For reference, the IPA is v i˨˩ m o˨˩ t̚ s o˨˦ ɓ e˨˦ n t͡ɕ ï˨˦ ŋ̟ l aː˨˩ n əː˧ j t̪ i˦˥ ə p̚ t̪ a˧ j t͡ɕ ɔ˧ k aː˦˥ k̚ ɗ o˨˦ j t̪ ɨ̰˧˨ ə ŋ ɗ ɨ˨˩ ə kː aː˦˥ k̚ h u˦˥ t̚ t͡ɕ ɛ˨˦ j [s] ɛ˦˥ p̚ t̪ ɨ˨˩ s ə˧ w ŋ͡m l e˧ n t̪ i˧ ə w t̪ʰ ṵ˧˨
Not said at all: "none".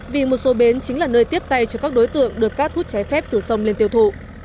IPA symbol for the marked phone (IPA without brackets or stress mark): f